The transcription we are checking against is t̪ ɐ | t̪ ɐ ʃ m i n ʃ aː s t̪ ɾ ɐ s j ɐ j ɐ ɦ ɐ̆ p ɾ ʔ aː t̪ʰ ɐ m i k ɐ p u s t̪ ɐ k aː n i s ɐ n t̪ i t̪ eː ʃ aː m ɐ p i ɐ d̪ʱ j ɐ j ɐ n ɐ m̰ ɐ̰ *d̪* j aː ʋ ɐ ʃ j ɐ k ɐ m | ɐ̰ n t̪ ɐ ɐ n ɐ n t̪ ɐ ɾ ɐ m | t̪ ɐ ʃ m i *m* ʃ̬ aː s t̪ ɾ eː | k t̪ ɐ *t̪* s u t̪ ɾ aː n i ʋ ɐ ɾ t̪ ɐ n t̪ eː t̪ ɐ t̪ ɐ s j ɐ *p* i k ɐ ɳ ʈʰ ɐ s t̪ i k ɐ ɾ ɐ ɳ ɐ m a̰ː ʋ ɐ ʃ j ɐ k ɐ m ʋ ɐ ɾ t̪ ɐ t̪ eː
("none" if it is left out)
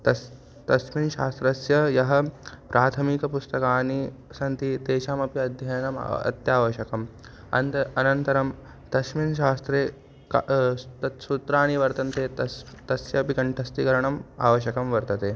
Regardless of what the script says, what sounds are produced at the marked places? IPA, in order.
t̪, n, t̪, p

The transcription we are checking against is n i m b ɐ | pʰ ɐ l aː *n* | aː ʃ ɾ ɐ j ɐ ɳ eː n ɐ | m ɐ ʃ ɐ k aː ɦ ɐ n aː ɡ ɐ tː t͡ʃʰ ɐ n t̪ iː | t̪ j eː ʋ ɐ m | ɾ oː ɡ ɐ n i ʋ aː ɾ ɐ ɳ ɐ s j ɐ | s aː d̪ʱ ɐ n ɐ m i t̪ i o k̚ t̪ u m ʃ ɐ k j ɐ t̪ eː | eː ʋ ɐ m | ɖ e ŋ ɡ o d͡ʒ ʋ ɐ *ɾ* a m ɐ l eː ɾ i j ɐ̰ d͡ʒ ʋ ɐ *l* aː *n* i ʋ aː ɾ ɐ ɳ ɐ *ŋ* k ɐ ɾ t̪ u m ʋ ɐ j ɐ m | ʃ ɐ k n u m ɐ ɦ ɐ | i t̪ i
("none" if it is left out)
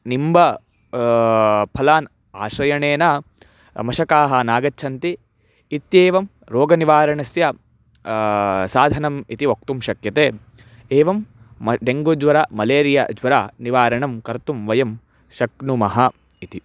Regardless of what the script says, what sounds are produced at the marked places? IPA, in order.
n, ɾ, ɾ, n, m

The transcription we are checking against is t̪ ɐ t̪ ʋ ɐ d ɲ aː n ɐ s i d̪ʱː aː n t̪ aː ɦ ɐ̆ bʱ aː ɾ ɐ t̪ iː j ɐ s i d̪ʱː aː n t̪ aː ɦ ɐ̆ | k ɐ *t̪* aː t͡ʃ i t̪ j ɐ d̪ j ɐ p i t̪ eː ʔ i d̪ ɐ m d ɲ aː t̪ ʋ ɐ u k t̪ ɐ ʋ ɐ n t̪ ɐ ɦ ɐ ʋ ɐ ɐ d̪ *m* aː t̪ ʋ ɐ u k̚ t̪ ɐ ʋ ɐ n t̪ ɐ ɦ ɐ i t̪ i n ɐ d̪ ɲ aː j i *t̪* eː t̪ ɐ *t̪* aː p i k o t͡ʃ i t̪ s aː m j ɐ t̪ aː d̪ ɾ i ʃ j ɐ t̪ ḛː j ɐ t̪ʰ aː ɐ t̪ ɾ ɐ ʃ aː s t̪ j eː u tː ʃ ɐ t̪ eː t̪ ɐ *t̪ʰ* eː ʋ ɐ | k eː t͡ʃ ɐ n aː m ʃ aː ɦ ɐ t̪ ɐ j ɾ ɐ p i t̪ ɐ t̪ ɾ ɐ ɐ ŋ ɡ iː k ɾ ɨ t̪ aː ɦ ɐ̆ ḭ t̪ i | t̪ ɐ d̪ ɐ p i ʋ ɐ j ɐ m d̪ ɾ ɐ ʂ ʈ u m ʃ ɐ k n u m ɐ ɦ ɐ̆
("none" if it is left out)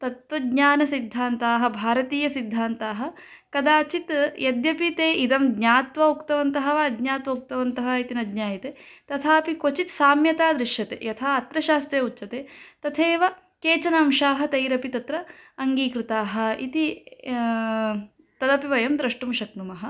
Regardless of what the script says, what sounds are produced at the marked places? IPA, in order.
d̪, ɲ, t̪, t̪ʰ, t̪ʰ

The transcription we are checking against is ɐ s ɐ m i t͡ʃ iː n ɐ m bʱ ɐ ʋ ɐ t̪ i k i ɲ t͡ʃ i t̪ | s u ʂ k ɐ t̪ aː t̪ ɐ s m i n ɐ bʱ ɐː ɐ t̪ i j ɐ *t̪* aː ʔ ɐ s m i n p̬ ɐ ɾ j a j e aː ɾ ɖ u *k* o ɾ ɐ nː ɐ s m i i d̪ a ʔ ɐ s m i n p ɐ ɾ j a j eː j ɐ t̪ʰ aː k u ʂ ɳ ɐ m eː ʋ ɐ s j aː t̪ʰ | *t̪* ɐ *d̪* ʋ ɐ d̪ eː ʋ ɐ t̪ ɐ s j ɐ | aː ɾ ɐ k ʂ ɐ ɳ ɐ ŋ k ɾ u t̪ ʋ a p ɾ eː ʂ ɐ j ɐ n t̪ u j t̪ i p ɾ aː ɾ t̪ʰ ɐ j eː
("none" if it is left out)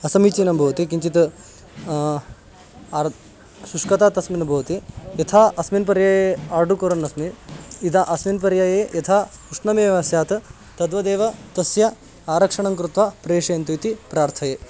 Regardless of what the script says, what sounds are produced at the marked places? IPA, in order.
t̪ʰ, k, t̪, d̪

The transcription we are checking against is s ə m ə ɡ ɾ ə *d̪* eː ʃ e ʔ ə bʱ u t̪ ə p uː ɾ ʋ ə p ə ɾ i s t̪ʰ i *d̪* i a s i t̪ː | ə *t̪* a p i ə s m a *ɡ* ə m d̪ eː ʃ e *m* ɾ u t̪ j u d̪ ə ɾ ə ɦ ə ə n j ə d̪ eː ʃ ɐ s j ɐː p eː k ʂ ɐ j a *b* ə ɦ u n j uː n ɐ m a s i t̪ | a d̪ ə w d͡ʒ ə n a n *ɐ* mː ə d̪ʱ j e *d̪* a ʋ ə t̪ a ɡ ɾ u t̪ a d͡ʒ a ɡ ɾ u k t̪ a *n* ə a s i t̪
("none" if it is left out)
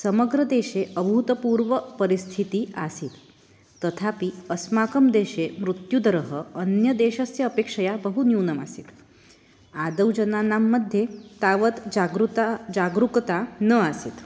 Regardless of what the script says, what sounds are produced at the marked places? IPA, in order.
d̪, t̪, t̪ʰ, k, m, b, a, t̪, n

